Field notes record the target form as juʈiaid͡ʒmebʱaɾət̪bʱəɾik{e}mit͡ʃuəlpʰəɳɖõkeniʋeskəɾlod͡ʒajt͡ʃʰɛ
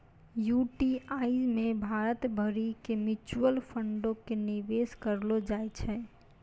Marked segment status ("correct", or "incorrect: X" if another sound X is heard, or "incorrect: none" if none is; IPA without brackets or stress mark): correct